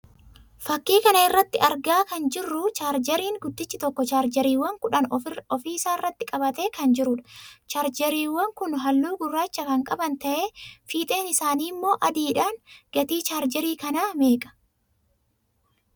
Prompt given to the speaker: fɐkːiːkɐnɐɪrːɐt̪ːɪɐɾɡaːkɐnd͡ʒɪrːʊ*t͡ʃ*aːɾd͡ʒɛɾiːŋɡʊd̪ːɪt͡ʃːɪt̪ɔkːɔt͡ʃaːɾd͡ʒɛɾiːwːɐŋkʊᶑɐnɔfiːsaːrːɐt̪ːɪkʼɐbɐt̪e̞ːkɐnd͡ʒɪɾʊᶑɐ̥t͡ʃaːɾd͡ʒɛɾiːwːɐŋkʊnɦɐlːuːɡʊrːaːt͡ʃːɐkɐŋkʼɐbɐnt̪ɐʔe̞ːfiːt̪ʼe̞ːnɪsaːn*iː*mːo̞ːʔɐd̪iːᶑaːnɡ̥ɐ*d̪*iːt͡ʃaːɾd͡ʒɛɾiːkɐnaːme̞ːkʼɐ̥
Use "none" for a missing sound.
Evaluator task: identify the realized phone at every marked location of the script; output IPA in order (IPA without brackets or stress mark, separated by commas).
t͡ʃ, iː, t̪